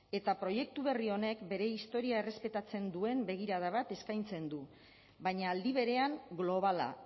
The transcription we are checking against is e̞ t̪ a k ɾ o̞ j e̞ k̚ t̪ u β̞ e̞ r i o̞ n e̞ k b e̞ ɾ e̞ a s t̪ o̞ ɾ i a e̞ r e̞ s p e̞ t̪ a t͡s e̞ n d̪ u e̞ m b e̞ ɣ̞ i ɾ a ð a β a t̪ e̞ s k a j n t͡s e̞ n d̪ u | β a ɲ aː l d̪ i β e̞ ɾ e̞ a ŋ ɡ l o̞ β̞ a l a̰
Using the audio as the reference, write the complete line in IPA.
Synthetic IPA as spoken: e̞ t̪ a p ɾ o̞ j e̞ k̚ t̪ u β̞ e̞ r i o̞ n e̞ k b e̞ ɾ e̞ i s t̪ o̞ ɾ i a e̞ r e̞ s p e̞ t̪ a t͡s e̞ n d̪ u e̞ m b e̞ ɣ̞ i ɾ a ð a β a t̪ e̞ s k a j n t͡s e̞ n d̪ u | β a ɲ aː l d̪ i β e̞ ɾ e̞ a ŋ ɡ l o̞ β̞ a l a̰

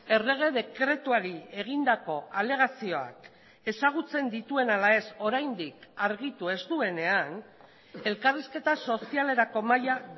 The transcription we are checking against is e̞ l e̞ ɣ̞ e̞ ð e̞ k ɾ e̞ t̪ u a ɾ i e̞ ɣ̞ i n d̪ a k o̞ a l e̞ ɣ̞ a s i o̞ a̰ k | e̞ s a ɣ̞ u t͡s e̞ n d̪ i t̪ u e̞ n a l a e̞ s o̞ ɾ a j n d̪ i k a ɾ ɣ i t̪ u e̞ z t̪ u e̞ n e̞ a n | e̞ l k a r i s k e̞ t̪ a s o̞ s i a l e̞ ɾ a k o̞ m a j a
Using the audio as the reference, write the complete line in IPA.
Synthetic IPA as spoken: e̞ r e̞ ɣ̞ e̞ ð e̞ k ɾ e̞ t̪ u a ɾ i e̞ ɣ̞ i n d̪ a k o̞ a l e̞ ɣ̞ a s i o̞ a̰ k | e̞ s a ɣ̞ u t͡s e̞ n d̪ i t̪ u e̞ n a l a e̞ s o̞ ɾ a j n d̪ i k a ɾ ɣ i t̪ u e̞ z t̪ u e̞ n e̞ a n | e̞ l k a r i s k e̞ t̪ a s o̞ s i a l e̞ ɾ a k o̞ m a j a

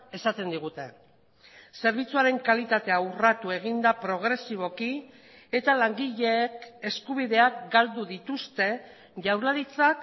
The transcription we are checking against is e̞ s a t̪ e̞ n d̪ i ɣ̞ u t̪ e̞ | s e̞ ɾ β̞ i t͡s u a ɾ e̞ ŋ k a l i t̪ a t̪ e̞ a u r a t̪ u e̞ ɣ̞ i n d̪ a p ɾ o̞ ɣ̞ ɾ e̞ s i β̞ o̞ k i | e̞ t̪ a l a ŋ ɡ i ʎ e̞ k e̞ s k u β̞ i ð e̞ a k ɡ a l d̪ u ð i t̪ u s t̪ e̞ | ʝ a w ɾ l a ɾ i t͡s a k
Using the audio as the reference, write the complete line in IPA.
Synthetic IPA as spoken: e̞ s a t̪ e̞ n d̪ i ɣ̞ u t̪ e̞ | s e̞ ɾ β̞ i t͡s u a ɾ e̞ ŋ k a l i t̪ a t̪ e̞ a u r a t̪ u e̞ ɣ̞ i n d̪ a p ɾ o̞ ɣ̞ ɾ e̞ s i β̞ o̞ k i | e̞ t̪ a l a ŋ ɡ i ʎ e̞ k e̞ s k u β̞ i ð e̞ a k ɡ a l d̪ u ð i t̪ u s t̪ e̞ | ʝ a w ɾ l a ɾ i t͡s a k

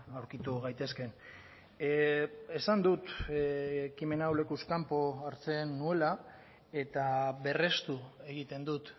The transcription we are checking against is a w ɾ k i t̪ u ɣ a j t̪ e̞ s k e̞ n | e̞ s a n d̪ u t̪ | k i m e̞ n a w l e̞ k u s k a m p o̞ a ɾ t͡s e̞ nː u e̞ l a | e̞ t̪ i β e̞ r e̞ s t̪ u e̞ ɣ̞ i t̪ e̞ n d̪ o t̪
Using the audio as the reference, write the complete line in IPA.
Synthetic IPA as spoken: a w ɾ k i t̪ u ɣ a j t̪ e̞ s k e̞ n | e̞ s a n d̪ u t̪ | k i m e̞ n a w l e̞ k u s k a m p o̞ a ɾ t͡s e̞ nː u e̞ l a | e̞ t̪ a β e̞ r e̞ s t̪ u e̞ ɣ̞ i t̪ e̞ n d̪ u t̪

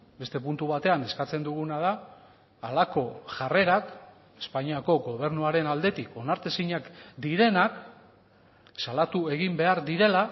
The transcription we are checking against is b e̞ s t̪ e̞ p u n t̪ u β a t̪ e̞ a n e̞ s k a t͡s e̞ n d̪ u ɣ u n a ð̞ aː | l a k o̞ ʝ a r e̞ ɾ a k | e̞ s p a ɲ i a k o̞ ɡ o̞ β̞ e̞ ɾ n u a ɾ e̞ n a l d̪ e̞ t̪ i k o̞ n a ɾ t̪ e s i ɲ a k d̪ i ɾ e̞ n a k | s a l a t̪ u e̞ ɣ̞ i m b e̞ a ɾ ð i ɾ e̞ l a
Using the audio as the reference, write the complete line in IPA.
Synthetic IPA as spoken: b e̞ s t̪ e̞ p u n t̪ u β a t̪ e̞ a n e̞ s k a t͡s e̞ n d̪ u ɣ u n a ð̞ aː | l a k o̞ ʝ a r e̞ ɾ a k | e̞ s p a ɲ i a k o̞ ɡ o̞ β̞ e̞ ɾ n u a ɾ e̞ n a l d̪ e̞ t̪ i k o̞ n a ɾ t̪ e s i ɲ a k d̪ i ɾ e̞ n a k | s a l a t̪ u e̞ ɣ̞ i m b e̞ a ɾ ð i ɾ e̞ l a

